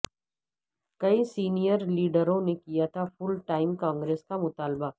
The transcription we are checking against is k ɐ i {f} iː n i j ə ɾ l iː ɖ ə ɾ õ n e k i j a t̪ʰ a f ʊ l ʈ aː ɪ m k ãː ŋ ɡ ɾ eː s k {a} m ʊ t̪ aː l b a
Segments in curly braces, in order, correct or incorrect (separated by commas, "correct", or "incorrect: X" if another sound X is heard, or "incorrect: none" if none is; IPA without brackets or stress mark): incorrect: s, correct